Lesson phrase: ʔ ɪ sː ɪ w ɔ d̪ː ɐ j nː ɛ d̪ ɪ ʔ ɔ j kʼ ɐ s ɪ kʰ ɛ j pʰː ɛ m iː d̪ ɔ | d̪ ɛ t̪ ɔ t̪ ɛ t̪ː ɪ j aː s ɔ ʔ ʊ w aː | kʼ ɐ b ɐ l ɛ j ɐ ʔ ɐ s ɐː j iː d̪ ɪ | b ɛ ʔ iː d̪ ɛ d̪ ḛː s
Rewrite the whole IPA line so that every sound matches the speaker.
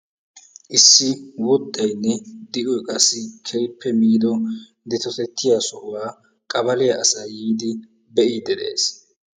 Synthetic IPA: ʔ ɪ sː ɪ w ɔ d̪ː ɐ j nː ɛ d̪ ɪ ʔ ɔ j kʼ ɐ s ɪ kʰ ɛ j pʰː ɛ m iː d̪ ɔ | d̪ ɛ t̪ ɔ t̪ ɛ t̪ː ɪ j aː s ɔ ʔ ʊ w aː | kʼ ɐ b ɐ l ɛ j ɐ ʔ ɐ s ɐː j iː d̪ ɪ | b ɛ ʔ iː d̪ ɛ d̪ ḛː s